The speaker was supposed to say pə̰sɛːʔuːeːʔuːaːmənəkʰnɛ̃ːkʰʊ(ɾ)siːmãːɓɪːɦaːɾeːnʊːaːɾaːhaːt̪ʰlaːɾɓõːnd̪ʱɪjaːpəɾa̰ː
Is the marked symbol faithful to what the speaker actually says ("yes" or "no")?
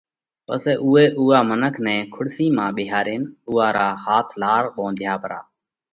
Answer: no